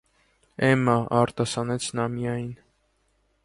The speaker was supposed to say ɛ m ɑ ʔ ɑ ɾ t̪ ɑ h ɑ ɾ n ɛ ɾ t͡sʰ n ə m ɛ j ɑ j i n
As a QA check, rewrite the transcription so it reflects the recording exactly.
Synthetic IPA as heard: ɛ m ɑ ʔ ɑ ɾ t̪ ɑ s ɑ n ɛ t͡sʰ n ɑ m i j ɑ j i n